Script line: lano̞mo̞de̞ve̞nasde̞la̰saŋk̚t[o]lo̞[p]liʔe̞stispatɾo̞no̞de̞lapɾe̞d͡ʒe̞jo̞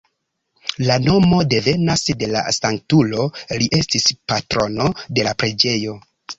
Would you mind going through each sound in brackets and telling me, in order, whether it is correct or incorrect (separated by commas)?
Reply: incorrect, incorrect